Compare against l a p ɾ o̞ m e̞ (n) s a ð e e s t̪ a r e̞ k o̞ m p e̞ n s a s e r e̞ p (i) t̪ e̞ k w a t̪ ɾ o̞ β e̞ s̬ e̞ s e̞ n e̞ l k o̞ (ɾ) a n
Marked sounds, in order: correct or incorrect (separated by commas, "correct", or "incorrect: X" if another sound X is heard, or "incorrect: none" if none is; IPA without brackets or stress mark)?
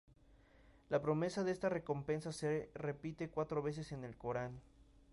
incorrect: none, correct, correct